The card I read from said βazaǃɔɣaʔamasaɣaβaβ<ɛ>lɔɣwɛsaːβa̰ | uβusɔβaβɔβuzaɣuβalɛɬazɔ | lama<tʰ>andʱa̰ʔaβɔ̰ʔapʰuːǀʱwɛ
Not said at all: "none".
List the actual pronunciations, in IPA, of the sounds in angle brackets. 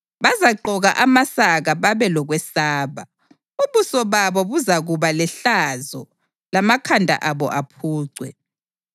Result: ɛ, kʰ

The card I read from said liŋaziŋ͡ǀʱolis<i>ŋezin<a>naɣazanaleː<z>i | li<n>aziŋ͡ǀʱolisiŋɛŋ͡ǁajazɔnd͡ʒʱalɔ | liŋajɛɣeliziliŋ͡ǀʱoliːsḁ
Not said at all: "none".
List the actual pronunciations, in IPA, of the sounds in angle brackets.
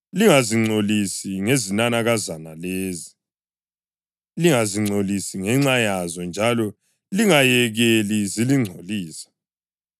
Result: i, a, z, ŋ

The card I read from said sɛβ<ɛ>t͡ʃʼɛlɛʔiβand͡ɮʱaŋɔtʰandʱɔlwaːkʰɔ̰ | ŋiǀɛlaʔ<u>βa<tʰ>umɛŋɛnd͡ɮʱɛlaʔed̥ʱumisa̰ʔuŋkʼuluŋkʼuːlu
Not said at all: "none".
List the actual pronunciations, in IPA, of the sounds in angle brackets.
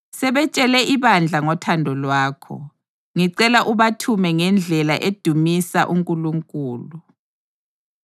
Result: ɛ, u, tʰ

